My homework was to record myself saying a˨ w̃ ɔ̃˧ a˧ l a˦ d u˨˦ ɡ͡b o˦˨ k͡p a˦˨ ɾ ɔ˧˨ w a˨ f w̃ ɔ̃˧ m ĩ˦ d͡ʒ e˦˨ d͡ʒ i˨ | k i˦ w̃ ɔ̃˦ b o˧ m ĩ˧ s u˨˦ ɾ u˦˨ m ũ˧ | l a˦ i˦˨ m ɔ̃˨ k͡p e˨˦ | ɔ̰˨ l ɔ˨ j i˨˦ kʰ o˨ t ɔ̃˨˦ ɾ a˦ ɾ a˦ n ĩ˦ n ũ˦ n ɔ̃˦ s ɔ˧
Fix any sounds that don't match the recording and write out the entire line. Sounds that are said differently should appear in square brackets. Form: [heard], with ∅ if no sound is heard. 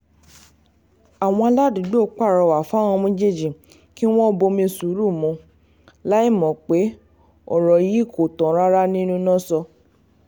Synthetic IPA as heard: a˨ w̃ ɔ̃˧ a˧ l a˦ d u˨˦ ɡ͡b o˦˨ k͡p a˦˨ ɾ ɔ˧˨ w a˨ f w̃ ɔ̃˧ m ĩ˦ d͡ʒ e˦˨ d͡ʒ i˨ | k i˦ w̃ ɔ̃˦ b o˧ m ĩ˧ s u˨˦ ɾ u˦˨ m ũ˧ | l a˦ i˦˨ m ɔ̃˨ k͡p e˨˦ | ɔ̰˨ [ɾ] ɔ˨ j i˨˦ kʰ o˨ t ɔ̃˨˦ ɾ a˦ ɾ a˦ n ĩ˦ n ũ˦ n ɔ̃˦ s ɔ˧